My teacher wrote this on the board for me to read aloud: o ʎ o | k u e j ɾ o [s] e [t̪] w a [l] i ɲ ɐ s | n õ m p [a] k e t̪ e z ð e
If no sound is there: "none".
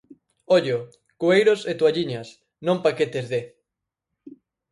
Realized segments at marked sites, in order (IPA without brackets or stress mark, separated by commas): s, t̪, ʎ, a